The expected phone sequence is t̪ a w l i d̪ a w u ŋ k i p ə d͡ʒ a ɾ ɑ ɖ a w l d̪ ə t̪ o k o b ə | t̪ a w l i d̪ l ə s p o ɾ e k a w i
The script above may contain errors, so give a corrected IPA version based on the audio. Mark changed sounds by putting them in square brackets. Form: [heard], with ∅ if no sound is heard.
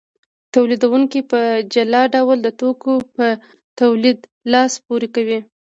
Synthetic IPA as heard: t̪ a w l i d̪ a w u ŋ k i p ə d͡ʒ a [l] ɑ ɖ a w l d̪ ə t̪ o k o [p] ə | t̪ a w l i d̪ l [ɑ] s p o ɾ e k a w i